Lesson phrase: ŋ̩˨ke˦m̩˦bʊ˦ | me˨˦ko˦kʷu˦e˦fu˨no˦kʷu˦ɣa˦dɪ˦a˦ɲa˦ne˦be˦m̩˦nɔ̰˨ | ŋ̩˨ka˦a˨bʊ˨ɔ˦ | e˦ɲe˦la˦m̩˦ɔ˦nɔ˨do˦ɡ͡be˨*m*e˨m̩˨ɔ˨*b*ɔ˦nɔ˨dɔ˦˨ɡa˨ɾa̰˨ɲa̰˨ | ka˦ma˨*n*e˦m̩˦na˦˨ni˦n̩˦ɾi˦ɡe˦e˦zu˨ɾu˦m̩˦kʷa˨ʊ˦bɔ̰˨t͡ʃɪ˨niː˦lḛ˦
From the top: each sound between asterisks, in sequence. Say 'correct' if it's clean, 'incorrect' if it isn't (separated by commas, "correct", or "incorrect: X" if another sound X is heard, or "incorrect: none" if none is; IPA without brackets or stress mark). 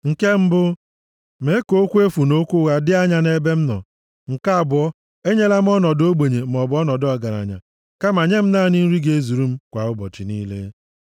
incorrect: ɲ, correct, incorrect: ɲ